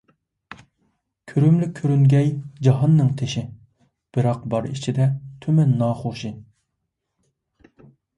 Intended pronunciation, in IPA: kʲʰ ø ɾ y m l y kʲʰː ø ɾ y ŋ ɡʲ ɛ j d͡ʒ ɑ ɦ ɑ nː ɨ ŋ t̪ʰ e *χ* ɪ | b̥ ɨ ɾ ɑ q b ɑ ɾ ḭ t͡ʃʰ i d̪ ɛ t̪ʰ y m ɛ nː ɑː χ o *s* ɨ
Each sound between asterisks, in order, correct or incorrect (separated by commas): incorrect, incorrect